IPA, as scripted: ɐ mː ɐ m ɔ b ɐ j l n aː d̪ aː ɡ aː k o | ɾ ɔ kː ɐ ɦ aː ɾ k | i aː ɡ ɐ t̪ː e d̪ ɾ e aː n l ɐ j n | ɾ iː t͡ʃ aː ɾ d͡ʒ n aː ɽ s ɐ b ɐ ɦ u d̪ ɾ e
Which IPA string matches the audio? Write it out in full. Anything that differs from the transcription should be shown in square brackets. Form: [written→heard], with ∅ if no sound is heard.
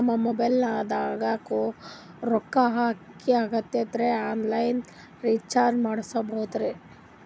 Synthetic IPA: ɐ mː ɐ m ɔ b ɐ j l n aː d̪ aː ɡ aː k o | ɾ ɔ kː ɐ ɦ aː [ɾ→∅] k | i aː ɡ ɐ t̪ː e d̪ ɾ e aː n l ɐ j n | ɾ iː t͡ʃ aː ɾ d͡ʒ [n→m] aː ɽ s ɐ b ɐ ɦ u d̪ ɾ e